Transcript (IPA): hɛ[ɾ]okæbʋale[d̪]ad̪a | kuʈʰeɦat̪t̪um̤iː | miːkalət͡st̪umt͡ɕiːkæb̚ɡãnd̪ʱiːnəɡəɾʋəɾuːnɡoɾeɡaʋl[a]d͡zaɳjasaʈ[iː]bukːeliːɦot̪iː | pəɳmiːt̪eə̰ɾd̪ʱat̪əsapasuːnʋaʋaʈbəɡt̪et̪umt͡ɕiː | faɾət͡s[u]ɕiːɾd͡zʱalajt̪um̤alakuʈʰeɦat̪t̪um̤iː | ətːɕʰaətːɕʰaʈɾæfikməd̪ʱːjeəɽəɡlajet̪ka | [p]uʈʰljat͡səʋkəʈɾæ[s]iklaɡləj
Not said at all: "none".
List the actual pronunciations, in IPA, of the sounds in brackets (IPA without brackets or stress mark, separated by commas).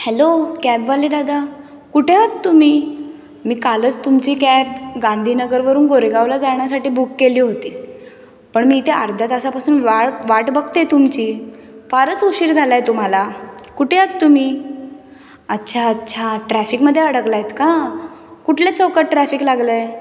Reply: l, d̪, a, iː, u, k, f